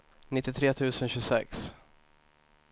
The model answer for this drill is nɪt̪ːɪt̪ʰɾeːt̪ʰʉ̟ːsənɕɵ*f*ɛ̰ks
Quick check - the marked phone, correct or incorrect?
incorrect